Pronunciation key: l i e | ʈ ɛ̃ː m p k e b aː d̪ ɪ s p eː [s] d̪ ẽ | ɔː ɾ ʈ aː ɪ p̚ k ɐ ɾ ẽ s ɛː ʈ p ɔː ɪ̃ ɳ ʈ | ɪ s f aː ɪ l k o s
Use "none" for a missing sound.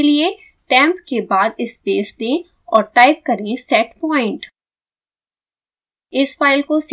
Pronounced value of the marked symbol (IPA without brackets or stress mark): s